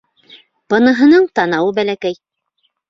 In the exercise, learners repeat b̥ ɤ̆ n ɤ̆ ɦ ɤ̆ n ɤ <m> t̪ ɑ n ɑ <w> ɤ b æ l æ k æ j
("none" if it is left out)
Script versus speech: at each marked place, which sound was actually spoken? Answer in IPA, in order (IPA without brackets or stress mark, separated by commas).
ɴ, w